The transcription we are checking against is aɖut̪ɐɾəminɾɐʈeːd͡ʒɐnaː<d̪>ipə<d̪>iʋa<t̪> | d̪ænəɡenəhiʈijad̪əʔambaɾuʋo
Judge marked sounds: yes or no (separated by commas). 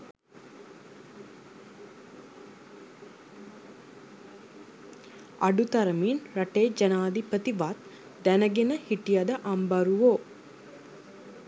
yes, no, yes